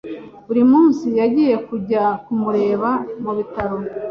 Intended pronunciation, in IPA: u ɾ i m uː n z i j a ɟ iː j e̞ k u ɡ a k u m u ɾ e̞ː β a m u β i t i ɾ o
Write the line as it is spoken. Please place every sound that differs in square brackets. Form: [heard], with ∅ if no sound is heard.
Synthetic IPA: u ɾ i m uː n [s] i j a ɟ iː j e̞ k u [ɟ] a k u m u ɾ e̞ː β a m u β i t [a] ɾ o